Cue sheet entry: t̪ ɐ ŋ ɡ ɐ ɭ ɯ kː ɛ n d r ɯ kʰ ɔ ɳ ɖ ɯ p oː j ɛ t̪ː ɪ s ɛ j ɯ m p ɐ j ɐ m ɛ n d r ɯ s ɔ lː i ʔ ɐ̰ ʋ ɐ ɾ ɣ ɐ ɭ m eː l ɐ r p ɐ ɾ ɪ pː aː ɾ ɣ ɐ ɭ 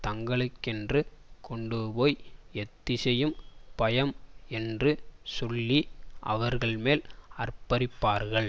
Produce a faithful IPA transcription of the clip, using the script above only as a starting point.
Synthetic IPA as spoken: t̪ ɐ ŋ ɡ ɐ ɭ ɯ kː ɛ n d r ɯ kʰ ɔ ɳ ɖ ɯ p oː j ɛ t̪ː ɪ s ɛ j ɯ m p ɐ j ɐ m ɛ n d r ɯ s ɔ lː i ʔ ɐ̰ ʋ ɐ ɾ ɣ ɐ ɭ m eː l ɐ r p ɐ ɾ ɪ pː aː ɾ ɣ ɐ ɭ